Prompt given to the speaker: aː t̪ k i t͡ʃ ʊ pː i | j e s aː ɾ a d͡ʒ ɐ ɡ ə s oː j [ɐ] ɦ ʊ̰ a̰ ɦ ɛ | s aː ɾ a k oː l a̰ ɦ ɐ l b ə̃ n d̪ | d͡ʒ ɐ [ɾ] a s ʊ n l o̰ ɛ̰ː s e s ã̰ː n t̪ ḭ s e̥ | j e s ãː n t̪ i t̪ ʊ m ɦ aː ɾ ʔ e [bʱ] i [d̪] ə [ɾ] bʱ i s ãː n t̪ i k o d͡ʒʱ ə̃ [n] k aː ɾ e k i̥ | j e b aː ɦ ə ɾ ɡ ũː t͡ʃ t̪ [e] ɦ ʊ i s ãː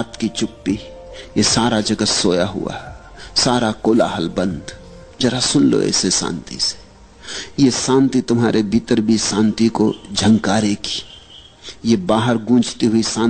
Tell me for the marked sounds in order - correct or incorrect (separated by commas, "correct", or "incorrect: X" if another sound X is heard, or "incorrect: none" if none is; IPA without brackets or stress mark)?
incorrect: a, correct, correct, incorrect: t̪, correct, incorrect: ŋ, incorrect: i